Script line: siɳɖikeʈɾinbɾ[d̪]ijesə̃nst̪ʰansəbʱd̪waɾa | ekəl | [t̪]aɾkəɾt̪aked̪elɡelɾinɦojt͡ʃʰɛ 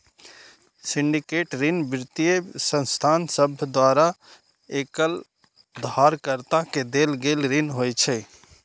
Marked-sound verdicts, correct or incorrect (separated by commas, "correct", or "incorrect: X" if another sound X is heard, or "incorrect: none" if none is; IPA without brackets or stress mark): incorrect: t̪, incorrect: d̪